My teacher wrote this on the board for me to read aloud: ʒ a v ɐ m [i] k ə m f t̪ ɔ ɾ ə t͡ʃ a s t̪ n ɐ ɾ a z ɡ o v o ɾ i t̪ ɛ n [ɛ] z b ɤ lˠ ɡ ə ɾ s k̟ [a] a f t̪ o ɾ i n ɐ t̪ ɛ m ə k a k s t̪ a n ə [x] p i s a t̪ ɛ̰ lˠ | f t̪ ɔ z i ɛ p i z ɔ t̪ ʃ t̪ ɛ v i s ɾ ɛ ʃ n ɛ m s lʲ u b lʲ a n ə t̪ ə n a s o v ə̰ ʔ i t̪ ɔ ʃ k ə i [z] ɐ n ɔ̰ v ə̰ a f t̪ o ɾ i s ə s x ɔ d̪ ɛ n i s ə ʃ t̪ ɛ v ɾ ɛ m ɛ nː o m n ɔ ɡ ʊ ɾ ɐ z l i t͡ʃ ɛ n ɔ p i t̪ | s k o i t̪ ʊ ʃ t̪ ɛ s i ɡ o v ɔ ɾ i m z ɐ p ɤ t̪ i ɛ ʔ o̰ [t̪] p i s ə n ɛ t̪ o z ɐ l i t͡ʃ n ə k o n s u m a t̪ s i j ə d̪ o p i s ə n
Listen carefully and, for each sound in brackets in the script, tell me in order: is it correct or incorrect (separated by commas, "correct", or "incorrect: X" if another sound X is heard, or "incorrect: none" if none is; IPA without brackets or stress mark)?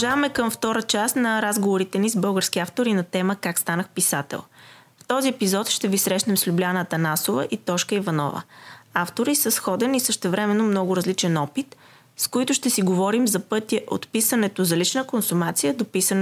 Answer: incorrect: ɛ, incorrect: i, incorrect: i, correct, incorrect: v, correct